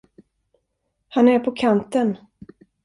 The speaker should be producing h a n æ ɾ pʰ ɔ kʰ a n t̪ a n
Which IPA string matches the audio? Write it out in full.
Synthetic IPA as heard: h a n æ ɾ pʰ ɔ kʰ a n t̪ ə n